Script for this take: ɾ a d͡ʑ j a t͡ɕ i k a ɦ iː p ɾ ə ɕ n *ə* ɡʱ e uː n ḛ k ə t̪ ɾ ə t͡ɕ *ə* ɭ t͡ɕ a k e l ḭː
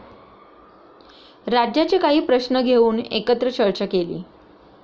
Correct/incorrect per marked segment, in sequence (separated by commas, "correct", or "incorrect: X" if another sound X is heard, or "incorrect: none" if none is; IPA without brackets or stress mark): correct, correct